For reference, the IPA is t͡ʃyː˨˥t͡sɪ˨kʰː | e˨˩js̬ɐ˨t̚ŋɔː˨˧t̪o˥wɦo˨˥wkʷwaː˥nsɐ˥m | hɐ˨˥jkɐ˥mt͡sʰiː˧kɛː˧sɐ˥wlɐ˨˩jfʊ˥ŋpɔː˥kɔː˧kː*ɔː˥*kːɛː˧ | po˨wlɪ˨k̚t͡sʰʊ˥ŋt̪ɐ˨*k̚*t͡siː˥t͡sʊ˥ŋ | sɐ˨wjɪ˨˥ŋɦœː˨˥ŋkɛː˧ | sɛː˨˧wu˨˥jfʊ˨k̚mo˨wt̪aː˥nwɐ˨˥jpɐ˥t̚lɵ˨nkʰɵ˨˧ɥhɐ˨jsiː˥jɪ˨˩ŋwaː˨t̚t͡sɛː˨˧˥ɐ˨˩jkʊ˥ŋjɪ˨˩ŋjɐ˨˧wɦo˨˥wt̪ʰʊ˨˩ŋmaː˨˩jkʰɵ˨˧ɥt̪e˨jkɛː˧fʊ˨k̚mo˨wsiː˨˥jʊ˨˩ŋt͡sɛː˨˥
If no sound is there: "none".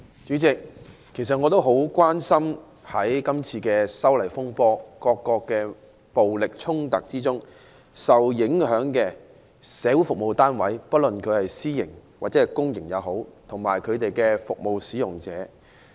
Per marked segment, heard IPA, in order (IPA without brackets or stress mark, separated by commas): ɔː˧, k̚